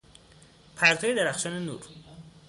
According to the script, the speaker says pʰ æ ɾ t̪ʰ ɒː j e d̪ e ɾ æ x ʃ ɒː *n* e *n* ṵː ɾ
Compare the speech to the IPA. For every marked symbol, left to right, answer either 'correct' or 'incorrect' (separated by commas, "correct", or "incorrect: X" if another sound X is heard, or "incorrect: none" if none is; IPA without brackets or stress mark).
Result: correct, correct